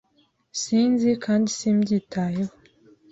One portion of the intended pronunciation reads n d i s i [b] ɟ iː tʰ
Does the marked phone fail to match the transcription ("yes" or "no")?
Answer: yes